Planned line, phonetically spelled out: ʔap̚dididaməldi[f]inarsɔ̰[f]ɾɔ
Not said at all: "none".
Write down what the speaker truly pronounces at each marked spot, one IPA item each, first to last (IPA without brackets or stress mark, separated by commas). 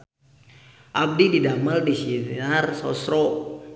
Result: s, s